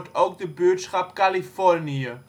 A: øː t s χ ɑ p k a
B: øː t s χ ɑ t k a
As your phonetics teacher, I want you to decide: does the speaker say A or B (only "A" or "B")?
A